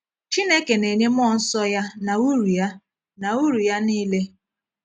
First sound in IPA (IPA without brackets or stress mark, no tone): t͡ʃ